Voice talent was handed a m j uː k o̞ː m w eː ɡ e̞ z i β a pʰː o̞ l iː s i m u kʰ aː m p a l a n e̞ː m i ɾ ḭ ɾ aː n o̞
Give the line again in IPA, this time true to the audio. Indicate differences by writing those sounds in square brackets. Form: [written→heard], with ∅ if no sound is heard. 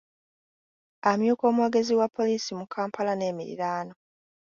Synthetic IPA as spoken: a m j uː k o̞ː m w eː ɡ e̞ z i [β→w] a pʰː o̞ l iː s i m u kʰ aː m p a l a n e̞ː m i ɾ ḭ ɾ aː n o̞